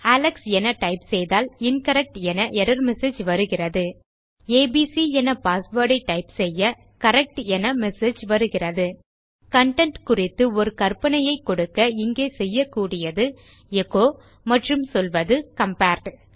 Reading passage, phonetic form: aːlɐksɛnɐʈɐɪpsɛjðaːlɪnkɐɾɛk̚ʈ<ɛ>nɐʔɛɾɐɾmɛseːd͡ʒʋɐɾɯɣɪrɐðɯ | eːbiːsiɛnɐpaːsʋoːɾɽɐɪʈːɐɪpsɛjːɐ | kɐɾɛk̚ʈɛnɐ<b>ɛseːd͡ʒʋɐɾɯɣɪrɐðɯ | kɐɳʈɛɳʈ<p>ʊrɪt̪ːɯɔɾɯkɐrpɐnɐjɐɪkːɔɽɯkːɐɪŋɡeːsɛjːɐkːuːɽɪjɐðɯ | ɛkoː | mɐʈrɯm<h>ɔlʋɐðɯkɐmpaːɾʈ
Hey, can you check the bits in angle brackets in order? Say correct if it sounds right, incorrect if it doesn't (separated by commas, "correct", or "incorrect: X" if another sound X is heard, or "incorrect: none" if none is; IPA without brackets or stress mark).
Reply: correct, incorrect: m, incorrect: k, incorrect: s